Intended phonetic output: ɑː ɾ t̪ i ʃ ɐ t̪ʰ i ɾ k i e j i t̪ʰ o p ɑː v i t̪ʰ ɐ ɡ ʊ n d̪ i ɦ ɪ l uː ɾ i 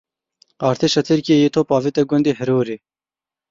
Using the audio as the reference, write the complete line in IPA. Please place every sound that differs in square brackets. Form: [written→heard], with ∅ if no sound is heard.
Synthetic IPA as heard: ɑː ɾ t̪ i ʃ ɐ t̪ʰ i ɾ k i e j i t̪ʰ o p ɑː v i [t̪ʰ→t̪] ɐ ɡ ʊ n d̪ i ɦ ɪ [l→ɾ] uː ɾ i